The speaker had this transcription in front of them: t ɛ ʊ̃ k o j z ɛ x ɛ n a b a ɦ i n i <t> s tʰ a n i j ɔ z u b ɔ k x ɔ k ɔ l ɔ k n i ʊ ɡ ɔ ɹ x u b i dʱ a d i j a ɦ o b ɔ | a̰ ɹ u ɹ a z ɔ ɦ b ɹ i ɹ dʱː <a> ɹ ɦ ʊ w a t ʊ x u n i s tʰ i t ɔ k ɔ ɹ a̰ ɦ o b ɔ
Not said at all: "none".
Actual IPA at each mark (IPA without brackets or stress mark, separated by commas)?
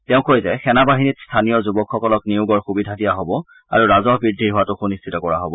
t, i